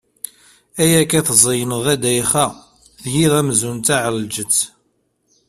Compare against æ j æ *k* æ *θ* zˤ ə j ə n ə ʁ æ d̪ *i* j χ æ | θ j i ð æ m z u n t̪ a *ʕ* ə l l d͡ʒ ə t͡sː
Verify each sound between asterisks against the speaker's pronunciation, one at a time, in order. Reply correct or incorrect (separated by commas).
correct, correct, incorrect, correct